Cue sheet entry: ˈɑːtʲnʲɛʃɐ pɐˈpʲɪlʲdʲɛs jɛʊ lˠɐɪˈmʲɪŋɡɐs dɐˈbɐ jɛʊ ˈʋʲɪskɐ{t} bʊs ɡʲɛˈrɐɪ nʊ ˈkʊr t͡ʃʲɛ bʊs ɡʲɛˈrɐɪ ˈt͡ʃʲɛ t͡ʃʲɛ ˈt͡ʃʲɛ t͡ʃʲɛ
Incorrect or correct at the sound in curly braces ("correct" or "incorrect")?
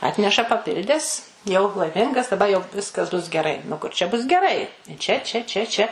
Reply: incorrect